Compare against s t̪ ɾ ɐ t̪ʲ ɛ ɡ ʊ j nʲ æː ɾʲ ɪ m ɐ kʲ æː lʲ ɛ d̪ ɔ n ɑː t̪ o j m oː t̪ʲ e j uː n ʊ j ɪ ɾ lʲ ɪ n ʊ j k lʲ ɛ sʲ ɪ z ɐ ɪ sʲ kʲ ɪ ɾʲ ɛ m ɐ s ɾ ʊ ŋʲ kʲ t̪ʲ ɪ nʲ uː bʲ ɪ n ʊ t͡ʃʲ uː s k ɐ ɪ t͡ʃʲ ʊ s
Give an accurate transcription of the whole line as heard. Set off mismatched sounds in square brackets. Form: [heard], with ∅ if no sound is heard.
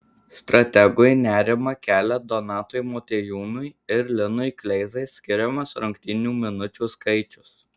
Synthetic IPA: s t̪ ɾ ɐ t̪ʲ ɛ ɡ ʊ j nʲ æː ɾʲ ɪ m ɐ kʲ æː lʲ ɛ d̪ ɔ n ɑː t̪ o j m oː t̪ʲ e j uː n ʊ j ɪ ɾ lʲ ɪ n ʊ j k lʲ ɛ [∅] ɪ z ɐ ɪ sʲ kʲ ɪ ɾʲ ɛ m ɐ s ɾ ʊ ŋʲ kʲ t̪ʲ ɪ nʲ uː [mʲ] ɪ n ʊ t͡ʃʲ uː s k ɐ ɪ t͡ʃʲ ʊ s